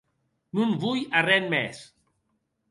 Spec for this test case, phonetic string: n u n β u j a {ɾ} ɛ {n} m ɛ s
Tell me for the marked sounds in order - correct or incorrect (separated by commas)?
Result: incorrect, correct